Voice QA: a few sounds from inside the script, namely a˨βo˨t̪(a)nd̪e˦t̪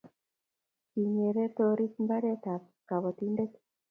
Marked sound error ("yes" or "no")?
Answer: yes